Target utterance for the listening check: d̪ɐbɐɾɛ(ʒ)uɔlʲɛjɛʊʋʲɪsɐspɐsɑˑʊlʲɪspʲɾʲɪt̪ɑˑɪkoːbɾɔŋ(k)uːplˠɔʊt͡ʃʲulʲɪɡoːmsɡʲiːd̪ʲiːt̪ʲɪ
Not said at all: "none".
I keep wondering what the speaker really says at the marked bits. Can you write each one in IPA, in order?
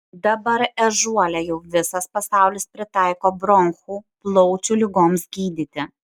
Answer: ʒ, x

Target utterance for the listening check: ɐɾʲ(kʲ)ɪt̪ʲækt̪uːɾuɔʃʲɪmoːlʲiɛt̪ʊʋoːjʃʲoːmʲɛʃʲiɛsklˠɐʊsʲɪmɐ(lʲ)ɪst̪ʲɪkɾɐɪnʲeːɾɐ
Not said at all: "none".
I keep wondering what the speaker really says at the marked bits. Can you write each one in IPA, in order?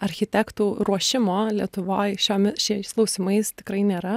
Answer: xʲ, none

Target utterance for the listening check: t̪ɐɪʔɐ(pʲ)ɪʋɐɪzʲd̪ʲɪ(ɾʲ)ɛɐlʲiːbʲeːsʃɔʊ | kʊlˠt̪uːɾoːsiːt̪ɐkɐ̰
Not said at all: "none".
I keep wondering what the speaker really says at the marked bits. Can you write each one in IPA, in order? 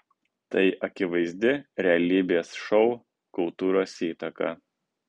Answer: kʲ, ɾʲ

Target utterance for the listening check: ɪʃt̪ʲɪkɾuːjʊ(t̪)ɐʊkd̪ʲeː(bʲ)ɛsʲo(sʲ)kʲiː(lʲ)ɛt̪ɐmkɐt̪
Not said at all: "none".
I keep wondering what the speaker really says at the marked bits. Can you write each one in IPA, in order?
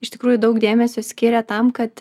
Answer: d̪, mʲ, sʲ, ɾʲ

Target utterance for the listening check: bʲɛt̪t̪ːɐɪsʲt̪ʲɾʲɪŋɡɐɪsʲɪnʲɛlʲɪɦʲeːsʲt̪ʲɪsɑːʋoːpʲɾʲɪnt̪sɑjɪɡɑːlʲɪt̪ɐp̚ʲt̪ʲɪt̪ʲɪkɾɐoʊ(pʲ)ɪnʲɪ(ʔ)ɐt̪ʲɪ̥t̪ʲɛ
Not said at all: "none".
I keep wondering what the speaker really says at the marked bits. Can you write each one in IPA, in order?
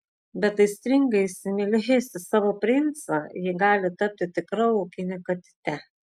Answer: kʲ, k

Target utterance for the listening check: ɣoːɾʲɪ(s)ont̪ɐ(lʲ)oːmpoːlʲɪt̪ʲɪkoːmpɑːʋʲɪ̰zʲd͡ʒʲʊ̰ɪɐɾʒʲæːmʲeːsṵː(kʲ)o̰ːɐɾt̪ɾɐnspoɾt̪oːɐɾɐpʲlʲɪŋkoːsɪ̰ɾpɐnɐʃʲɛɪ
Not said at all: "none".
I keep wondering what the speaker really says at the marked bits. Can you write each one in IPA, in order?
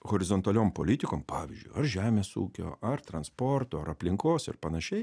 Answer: z, lʲ, kʲ

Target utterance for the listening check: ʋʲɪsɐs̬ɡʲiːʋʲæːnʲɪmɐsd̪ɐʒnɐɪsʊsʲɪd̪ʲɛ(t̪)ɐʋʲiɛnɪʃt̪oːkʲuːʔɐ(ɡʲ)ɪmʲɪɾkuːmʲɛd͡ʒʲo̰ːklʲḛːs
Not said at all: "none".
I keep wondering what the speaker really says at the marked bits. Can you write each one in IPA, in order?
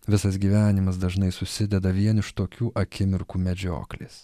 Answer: d̪, kʲ

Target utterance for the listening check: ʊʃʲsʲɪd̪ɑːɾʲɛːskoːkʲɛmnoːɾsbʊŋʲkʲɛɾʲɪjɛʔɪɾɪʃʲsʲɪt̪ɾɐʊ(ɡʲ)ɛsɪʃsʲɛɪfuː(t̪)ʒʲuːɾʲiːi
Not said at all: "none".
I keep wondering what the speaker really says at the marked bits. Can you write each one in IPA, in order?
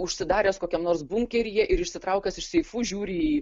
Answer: kʲ, none

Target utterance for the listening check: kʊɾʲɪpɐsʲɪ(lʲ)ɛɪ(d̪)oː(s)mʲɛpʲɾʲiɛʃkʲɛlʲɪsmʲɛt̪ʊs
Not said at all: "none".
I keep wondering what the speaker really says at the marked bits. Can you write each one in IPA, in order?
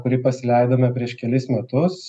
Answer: lʲ, d̪, none

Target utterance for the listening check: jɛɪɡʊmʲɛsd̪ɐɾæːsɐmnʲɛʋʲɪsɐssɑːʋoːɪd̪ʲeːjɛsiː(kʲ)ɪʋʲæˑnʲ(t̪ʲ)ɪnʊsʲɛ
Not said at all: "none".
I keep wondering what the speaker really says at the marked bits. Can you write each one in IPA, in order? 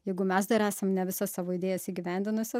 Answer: ɡʲ, d̪ʲ

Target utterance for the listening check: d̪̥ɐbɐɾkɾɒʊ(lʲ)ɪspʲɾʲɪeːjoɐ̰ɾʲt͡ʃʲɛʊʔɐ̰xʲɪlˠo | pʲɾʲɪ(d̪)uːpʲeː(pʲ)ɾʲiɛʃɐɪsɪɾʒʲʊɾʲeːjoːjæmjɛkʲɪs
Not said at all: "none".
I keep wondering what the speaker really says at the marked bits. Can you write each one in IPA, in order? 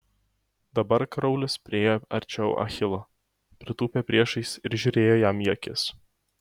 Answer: lʲ, t̪, pʲ

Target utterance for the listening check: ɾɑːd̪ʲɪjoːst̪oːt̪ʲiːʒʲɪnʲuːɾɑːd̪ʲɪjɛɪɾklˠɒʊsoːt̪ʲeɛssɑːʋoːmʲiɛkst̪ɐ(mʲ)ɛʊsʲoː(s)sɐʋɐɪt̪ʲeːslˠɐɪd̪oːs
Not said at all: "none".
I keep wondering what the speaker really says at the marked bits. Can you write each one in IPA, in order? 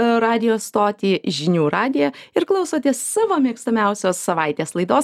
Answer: mʲ, s

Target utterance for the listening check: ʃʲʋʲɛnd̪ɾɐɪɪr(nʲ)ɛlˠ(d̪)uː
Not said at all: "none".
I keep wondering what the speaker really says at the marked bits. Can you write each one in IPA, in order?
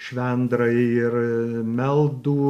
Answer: mʲ, d̪

